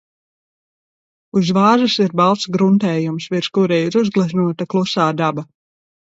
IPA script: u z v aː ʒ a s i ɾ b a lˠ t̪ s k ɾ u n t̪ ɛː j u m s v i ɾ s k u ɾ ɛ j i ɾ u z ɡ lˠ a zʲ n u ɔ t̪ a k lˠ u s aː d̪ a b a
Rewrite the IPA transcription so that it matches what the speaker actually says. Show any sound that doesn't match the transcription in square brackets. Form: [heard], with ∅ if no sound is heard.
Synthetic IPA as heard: u z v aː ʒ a s i ɾ b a lˠ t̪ s [ɡ] ɾ u n t̪ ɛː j u m s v i ɾ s k u ɾ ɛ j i ɾ u z ɡ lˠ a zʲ n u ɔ t̪ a k lˠ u s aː d̪ a b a